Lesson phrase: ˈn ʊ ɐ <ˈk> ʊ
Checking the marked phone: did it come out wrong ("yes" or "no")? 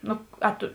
yes